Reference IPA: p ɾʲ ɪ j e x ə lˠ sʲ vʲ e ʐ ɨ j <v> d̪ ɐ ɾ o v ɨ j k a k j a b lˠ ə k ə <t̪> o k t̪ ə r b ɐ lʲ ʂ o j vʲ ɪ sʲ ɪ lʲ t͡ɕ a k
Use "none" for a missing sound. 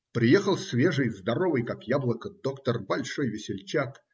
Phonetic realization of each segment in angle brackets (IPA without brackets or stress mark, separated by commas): z, d̪